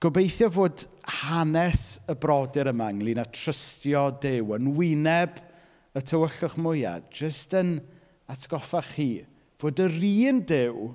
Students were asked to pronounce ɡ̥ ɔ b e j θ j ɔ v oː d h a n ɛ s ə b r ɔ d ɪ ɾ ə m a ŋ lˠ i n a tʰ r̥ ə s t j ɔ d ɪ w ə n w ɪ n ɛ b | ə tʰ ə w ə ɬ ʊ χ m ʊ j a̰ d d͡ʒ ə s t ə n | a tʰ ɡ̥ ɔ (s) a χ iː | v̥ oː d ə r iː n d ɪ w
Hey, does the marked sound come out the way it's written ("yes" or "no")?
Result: no